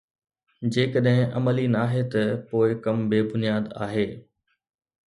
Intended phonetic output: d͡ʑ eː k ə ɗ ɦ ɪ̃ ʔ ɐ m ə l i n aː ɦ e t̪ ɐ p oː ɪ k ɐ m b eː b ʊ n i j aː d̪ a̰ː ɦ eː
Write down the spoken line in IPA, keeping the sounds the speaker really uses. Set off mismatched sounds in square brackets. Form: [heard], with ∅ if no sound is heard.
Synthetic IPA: d͡ʑ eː k ə ɗ ɦ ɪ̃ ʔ ɐ m ə l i n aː ɦ e t̪ ɐ p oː ɪ k ɐ m b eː b ʊ n i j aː d̪ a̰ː ɦ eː